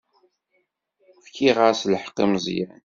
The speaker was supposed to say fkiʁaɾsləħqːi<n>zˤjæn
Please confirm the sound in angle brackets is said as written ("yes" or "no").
no